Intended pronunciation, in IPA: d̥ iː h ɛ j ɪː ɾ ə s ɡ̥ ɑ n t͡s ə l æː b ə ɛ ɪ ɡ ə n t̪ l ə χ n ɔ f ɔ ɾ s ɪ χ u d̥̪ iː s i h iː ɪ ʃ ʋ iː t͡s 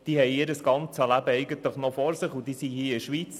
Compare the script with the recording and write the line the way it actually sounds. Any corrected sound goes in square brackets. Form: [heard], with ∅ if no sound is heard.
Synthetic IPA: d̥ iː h ɛ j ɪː ɾ ə s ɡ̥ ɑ n t͡s ə l [æ] b ə ɛ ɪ ɡ ə n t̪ l ə χ n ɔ f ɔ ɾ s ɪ χ u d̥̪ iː s i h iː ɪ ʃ ʋ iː t͡s